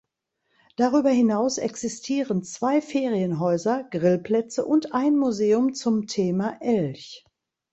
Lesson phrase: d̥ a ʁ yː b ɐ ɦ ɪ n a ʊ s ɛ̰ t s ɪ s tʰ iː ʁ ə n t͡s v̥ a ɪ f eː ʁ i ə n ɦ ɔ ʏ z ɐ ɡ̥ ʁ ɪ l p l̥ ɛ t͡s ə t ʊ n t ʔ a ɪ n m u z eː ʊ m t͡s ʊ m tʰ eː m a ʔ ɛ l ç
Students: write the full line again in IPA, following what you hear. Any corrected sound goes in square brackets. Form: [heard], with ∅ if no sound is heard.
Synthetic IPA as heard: d̥ a ʁ yː b ɐ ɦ ɪ n a ʊ s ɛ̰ [k] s ɪ s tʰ iː ʁ ə n t͡s v̥ a ɪ f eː ʁ i ə n ɦ ɔ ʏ z ɐ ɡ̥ ʁ ɪ l p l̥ ɛ t͡s ə [ʔ] ʊ n t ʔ a ɪ n m u z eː ʊ m t͡s ʊ m tʰ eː m a ʔ ɛ l ç